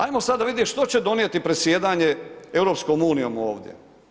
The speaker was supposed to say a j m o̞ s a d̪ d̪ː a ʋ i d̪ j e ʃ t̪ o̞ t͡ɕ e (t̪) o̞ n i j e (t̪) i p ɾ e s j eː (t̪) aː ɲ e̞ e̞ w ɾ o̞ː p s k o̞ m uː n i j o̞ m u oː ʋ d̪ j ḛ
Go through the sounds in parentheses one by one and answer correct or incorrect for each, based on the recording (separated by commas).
incorrect, correct, incorrect